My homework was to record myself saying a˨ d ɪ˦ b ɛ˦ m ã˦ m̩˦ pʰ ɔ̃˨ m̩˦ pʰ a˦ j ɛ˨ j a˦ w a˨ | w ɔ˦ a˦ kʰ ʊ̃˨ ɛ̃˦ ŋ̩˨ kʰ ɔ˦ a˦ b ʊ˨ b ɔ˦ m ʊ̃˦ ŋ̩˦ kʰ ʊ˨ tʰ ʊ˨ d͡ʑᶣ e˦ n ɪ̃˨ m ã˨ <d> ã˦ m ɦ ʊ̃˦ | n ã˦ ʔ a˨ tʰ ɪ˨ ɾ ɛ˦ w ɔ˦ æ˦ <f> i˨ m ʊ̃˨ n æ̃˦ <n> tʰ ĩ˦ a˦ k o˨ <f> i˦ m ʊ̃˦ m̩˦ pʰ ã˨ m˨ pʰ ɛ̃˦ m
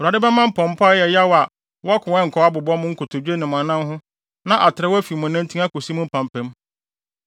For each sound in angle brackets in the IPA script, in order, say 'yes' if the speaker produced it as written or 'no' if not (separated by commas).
no, yes, yes, no